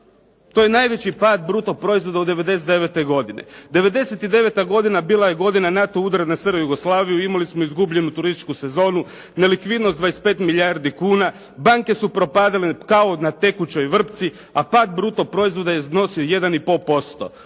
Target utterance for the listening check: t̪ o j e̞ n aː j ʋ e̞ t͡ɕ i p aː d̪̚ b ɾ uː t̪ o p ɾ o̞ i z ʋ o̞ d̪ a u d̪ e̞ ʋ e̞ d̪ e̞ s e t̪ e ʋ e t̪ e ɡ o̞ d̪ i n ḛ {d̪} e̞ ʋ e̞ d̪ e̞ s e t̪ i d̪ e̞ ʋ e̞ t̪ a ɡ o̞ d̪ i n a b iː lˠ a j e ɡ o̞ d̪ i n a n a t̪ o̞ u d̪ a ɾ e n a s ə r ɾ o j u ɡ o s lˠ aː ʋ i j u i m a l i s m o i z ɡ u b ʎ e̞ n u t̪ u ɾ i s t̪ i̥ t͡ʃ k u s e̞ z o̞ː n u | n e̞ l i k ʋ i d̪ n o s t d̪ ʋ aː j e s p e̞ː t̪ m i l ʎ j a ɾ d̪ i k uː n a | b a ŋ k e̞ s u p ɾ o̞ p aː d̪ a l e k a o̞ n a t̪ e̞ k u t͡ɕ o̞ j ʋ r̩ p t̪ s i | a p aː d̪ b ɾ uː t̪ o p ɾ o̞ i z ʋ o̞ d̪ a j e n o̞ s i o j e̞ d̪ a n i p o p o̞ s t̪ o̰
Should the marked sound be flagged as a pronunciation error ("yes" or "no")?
no